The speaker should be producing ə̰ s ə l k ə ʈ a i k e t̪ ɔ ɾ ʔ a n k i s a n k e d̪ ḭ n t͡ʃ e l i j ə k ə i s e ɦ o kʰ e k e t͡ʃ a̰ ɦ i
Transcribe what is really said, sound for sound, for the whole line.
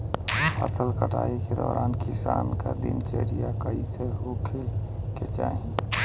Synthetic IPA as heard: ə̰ s ə l k ə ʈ a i k e d̪ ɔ ɾ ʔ a n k i s a n k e d̪ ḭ n t͡ʃ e ɾ i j a k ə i s e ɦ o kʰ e k e t͡ʃ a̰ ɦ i